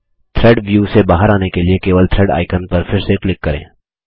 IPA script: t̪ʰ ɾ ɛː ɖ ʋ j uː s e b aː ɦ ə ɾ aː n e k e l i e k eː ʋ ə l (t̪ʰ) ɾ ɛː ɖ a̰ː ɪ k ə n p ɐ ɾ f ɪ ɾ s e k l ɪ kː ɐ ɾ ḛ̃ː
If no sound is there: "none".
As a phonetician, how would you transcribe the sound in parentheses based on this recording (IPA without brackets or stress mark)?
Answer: t̪ʰ